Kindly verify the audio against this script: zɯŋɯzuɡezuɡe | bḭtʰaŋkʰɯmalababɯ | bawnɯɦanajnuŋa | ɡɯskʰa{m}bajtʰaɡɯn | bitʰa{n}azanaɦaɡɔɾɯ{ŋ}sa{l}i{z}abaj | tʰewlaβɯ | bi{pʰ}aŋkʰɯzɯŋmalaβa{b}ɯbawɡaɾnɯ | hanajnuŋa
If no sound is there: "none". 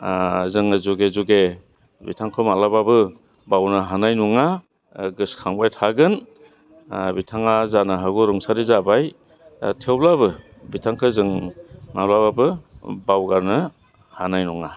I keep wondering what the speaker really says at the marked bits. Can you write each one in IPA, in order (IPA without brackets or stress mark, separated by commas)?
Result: ŋ, ŋ, ŋ, ɾ, z, tʰ, b